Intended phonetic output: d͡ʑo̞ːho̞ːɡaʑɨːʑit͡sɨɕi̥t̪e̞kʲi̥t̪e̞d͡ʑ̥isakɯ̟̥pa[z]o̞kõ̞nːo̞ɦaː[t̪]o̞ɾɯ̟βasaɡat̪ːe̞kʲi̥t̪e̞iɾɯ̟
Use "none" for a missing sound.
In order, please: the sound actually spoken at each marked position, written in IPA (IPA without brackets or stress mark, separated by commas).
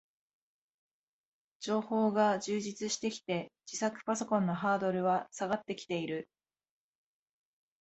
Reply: s, d̪